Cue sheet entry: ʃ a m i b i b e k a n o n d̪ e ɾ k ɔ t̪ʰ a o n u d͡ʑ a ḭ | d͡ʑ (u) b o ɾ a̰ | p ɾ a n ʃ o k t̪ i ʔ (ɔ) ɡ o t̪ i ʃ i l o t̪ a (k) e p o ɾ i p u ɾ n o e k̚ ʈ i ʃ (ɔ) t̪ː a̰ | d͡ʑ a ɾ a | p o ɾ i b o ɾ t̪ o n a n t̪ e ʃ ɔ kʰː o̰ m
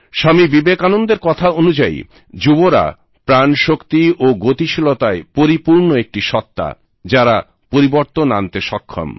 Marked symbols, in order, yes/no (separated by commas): yes, no, no, yes